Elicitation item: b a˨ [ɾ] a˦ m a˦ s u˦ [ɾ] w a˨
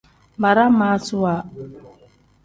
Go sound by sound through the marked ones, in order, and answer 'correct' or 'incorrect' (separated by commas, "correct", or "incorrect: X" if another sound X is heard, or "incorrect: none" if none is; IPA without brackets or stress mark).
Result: correct, incorrect: none